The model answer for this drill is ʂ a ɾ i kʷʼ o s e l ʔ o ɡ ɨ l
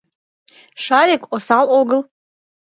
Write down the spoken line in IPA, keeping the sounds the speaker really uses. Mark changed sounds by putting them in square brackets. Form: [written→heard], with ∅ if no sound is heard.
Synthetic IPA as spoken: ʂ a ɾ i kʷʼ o s [e→a] l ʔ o ɡ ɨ l